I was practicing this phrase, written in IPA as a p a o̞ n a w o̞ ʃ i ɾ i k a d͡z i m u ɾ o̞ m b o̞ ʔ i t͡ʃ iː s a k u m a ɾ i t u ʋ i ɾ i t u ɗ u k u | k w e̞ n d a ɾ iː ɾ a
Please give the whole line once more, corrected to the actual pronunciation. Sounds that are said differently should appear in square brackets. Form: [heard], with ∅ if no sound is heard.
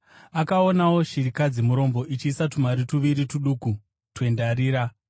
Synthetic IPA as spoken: a [k] a o̞ n a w o̞ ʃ i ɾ i k a d͡z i m u ɾ o̞ m b o̞ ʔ i t͡ʃ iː s a [t] u m a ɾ i t u ʋ i ɾ i t u ɗ u k u | [t] w e̞ n d a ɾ iː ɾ a